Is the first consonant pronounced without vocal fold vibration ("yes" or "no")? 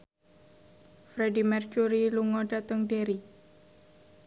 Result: yes